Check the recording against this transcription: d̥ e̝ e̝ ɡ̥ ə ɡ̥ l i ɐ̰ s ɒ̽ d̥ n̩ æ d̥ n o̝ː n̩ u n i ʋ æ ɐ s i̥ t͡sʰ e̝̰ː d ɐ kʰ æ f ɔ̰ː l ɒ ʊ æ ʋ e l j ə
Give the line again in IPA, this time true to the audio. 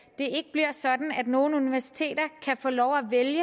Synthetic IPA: d̥ e̝ e̝ ɡ̥ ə b̥ l i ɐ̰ s ɒ̽ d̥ n̩ æ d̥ n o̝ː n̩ u n i ʋ æ ɐ s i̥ t͡sʰ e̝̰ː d ɐ kʰ æ f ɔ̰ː l ɒ ʊ æ ʋ e l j ə

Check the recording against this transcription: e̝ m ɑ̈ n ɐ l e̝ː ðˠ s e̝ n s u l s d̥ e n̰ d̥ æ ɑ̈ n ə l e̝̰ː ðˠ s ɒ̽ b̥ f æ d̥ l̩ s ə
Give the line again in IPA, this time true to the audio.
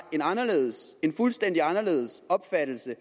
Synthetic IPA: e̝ n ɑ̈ n ɐ l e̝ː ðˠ s e̝ n f u l s d̥ e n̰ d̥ i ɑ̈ n ɐ l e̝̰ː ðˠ s ɒ̽ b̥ f æ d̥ l̩ s ə

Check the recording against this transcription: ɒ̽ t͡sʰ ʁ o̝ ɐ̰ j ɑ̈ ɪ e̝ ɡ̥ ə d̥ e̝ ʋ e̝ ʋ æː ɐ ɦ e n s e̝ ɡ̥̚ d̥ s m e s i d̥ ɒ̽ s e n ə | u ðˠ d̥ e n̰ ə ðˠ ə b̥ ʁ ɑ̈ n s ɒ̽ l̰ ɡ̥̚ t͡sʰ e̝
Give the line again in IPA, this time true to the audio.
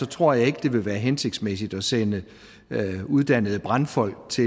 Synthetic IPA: ɒ̽ t͡sʰ ʁ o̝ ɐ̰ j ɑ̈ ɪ e̝ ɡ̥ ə d̥ e̝ ʋ e̝ ʋ æː ɐ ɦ e n s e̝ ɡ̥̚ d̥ s m e s i d̥ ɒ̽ s e n ə | u ðˠ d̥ æ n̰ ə ðˠ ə b̥ ʁ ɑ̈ n f ɒ̽ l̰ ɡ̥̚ t͡sʰ e̝

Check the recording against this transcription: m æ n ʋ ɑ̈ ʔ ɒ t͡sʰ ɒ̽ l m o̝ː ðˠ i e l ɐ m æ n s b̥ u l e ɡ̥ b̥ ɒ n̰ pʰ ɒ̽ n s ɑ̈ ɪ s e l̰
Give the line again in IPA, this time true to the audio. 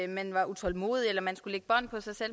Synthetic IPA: m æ n ʋ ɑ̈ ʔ u t͡sʰ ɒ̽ l m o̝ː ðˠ i e l ɐ m æ n s ɡ̥ u l e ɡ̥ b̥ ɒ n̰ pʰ ɒ̽ s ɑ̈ ɪ s e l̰

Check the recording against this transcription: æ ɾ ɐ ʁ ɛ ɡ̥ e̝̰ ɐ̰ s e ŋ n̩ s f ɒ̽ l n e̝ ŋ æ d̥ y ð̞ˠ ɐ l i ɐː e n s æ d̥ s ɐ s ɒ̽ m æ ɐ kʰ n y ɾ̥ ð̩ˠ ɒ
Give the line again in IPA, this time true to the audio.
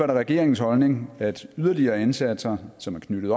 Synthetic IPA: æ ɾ ɐ ʁ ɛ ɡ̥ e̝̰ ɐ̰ e ŋ n̩ s h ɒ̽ l n e̝ ŋ æ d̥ y ð̞ˠ ɐ l i ɐː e n s æ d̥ s ɐ s ɒ̽ m æ ɐ kʰ n y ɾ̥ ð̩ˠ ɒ

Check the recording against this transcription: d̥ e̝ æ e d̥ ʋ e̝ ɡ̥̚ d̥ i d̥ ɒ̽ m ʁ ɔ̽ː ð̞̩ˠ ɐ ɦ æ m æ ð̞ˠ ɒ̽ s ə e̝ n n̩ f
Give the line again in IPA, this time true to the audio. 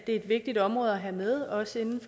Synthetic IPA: d̥ e̝ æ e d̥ ʋ e̝ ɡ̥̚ d̥ i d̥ ɒ̽ m ʁ ɔ̽ː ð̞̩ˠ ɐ ɦ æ m e ð̞ˠ ɒ̽ s ə e̝ n n̩ f

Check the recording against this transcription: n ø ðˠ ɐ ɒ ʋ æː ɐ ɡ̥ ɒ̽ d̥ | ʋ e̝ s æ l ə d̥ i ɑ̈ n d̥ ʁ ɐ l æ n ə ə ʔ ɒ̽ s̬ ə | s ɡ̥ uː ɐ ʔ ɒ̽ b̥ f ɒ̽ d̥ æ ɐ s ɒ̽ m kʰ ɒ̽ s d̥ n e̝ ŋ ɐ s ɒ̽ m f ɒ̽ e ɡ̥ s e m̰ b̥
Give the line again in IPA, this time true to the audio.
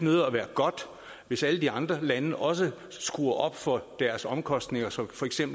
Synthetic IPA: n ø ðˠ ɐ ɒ ʋ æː ɐ ɡ̥ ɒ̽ d̥ | ʋ e̝ s æ l ə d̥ i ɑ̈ n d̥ ʁ ɐ l æ n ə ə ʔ ɒ̽ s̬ ə | s ɡ̥ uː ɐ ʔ ɒ̽ b̥ f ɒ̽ d̥ æ ɐ s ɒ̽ m kʰ ɒ̽ s d̥ n e̝ ŋ ɐ s ɒ̽ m f ɒ̽ e ɡ̥ s e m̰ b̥

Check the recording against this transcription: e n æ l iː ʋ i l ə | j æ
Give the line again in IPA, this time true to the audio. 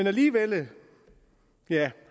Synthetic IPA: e n æ l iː ʋ e l ə | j æ

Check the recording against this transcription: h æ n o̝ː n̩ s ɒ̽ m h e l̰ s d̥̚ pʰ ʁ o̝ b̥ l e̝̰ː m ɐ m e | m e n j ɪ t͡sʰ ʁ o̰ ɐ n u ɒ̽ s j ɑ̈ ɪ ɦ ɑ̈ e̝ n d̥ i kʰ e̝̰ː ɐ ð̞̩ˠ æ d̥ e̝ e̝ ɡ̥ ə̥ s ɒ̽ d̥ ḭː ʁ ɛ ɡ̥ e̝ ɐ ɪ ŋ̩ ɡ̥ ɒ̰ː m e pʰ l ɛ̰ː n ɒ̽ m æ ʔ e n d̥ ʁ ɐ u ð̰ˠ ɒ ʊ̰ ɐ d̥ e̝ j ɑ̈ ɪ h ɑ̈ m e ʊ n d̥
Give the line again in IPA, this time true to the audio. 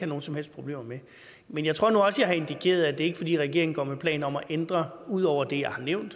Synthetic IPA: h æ n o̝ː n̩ s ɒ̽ m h e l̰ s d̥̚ pʰ ʁ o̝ b̥ l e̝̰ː m ɐ m e | m e n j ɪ t͡sʰ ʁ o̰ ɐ n u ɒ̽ s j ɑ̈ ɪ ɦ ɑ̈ e̝ n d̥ i kʰ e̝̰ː ɐ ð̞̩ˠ æ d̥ e̝ e̝ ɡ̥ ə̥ f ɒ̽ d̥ ḭː ʁ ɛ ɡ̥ e̝ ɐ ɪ ŋ̩ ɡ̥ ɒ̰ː m e pʰ l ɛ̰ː n ɒ̽ m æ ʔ e n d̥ ʁ ɐ u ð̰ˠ ɒ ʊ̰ ɐ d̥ e̝ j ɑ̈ ɪ h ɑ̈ n e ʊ n d̥

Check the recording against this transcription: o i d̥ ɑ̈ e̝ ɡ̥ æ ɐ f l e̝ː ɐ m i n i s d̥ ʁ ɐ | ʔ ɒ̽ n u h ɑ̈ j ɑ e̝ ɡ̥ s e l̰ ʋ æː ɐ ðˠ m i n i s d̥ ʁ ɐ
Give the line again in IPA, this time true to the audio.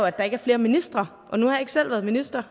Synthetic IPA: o æ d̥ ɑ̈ e̝ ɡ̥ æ ɐ f l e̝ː ɐ m i n i s d̥ ʁ ɐ | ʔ ɒ̽ n u h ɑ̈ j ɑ e̝ ɡ̥ s e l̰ ʋ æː ɐ ðˠ m i n i s d̥ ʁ ɐ

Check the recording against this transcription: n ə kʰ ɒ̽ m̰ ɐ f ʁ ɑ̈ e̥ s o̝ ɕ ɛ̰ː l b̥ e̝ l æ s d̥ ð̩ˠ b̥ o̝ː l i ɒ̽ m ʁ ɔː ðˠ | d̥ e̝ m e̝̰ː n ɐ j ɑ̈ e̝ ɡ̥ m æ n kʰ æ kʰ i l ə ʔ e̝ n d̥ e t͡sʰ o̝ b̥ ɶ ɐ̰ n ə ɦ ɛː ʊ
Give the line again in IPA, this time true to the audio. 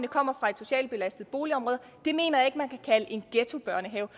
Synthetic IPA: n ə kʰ ɒ̽ m̰ ɐ f ʁ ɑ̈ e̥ s o̝ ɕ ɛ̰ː l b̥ e̝ l æ s d̥ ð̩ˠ b̥ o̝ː l i ɒ̽ m ʁ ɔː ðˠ | d̥ e̝ m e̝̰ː n ɐ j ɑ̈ e̝ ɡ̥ m æ n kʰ æ kʰ æ l ə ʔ e̝ n ɡ̥ e t͡sʰ o̝ b̥ ɶ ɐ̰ n ə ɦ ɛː ʊ

